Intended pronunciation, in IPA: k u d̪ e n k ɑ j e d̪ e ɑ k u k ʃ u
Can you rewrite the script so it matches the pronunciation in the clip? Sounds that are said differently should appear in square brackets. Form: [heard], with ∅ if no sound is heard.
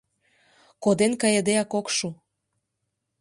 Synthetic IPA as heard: k [o] d̪ e n k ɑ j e d̪ e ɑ k [o] k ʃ u